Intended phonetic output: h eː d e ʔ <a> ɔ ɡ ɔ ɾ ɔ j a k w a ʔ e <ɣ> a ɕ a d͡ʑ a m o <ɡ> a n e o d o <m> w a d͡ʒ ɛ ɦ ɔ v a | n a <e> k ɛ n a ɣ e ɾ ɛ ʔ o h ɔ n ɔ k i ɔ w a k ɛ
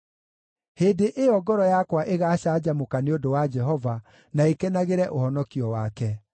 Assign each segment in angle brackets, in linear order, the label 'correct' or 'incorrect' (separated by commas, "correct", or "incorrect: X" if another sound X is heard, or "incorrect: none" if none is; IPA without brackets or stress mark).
incorrect: e, correct, incorrect: k, incorrect: none, correct